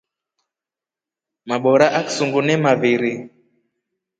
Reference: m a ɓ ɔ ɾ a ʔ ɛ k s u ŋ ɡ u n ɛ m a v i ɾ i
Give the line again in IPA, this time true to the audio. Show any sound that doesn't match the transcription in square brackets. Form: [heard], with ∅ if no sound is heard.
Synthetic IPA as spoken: m a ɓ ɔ ɾ a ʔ [a] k s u ŋ ɡ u n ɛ m a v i ɾ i